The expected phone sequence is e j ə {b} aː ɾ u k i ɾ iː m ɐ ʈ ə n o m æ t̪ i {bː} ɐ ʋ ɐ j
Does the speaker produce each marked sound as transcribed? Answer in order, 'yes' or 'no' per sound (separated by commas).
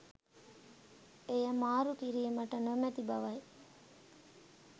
no, no